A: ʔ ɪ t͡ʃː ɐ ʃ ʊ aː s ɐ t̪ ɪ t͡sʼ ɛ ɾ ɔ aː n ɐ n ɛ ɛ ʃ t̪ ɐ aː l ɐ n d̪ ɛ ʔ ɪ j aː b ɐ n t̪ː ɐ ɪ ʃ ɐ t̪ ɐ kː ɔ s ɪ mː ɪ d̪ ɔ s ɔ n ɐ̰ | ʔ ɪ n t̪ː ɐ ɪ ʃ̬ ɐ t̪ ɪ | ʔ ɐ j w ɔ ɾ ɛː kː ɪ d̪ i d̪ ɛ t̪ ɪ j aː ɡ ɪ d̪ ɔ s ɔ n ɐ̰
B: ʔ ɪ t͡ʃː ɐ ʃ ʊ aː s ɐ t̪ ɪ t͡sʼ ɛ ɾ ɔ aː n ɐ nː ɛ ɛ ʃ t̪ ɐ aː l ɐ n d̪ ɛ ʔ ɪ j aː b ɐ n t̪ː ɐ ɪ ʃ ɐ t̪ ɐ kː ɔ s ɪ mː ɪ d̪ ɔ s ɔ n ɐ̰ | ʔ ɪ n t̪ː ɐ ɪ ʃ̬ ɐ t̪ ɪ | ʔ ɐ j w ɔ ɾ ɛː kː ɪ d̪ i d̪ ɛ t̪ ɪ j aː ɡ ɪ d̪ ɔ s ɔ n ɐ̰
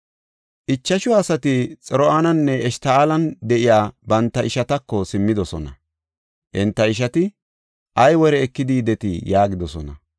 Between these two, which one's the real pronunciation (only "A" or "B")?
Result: B